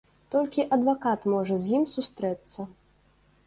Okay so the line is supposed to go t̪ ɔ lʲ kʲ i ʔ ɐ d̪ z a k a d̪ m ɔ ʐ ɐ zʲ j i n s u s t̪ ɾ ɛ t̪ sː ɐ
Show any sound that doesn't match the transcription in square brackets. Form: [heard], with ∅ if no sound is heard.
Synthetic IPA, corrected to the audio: t̪ ɔ lʲ kʲ i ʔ ɐ d̪ [v] a k a [t̪] m ɔ ʐ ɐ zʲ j i [m] s u s t̪ ɾ ɛ t̪ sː ɐ